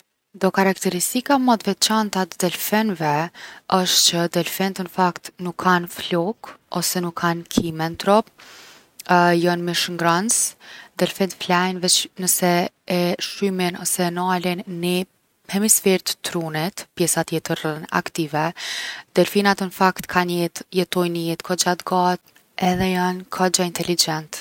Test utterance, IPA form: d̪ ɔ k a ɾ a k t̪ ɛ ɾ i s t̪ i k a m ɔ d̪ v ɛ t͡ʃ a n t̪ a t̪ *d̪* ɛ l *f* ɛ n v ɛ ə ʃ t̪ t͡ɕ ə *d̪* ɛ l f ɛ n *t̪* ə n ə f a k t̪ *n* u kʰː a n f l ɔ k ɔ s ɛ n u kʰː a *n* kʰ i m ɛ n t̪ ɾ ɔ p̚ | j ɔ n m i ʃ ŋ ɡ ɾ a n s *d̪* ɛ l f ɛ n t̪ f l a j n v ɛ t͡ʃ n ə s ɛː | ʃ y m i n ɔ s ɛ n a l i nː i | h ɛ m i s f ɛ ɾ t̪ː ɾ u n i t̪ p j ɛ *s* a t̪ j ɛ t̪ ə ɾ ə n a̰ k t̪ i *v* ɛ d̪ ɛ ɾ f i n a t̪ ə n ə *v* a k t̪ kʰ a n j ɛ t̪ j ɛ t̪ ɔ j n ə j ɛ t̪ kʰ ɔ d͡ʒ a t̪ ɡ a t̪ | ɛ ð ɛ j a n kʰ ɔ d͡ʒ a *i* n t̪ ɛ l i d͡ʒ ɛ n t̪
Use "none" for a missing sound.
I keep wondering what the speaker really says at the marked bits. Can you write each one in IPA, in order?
d̪, f, d̪, t̪, n, n, d̪, s, v, f, i

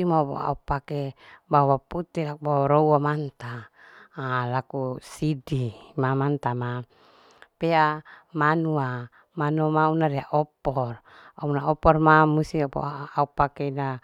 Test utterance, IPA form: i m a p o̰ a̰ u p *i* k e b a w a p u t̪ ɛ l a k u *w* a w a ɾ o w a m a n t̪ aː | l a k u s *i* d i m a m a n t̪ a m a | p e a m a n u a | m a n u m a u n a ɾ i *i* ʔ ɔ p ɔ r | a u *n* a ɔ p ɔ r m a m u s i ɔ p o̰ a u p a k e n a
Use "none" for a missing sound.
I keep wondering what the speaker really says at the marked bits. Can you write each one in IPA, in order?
a, b, i, a, n

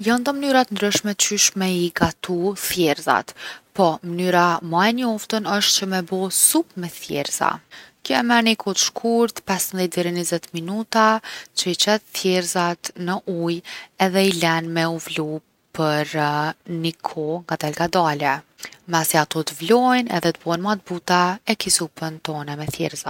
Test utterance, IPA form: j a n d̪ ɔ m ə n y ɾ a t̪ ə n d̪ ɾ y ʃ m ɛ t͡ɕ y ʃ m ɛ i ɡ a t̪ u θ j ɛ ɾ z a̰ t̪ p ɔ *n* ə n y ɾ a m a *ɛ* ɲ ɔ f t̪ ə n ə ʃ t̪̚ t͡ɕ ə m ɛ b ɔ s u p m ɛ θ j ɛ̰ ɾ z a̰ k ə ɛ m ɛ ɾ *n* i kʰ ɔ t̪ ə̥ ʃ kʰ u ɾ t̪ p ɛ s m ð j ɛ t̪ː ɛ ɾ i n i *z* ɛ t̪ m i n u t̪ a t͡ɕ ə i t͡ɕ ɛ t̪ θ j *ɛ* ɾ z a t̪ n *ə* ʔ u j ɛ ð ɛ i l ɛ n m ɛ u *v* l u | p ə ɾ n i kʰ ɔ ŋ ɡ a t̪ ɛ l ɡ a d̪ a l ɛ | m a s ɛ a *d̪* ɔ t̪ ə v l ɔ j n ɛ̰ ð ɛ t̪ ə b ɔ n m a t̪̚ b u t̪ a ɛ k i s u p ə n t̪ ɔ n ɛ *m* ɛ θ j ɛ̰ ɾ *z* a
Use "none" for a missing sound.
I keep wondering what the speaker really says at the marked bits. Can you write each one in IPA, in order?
m, ɛ, n, z, ɛ, ə, v, t̪, m, z

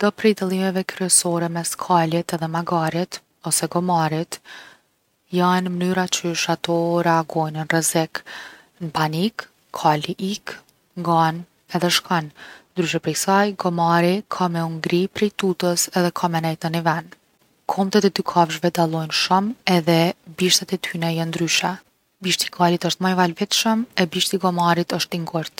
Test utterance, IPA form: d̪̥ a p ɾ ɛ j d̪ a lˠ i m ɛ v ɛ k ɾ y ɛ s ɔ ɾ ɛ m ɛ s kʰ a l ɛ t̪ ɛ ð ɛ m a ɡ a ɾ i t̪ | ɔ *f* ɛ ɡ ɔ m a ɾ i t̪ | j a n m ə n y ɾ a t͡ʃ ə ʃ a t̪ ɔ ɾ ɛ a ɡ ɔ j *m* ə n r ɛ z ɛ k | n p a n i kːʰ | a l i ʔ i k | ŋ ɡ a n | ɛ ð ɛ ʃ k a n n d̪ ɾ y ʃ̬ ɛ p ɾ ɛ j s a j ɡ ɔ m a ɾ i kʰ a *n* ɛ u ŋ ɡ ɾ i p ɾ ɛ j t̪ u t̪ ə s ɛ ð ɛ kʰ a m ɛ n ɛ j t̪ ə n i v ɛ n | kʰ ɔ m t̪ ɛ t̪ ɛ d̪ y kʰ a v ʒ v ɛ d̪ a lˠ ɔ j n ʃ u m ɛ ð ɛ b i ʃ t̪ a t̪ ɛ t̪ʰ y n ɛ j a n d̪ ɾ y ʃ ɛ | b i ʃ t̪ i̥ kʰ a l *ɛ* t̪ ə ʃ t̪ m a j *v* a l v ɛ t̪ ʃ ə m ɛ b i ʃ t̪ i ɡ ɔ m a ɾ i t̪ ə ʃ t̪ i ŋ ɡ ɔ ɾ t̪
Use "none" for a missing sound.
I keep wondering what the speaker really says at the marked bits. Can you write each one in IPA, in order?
s, n, m, i, v

